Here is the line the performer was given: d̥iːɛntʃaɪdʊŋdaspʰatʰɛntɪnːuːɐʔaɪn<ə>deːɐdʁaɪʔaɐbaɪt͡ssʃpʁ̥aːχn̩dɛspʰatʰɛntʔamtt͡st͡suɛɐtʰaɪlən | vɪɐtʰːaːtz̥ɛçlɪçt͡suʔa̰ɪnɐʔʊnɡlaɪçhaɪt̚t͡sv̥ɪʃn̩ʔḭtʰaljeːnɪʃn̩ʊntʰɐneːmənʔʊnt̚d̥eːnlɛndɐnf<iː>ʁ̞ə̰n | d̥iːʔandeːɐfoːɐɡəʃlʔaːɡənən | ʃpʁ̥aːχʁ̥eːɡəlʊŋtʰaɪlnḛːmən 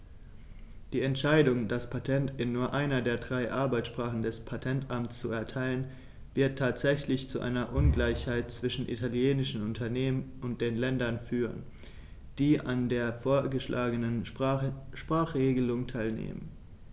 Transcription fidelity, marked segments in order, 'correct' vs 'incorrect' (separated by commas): incorrect, incorrect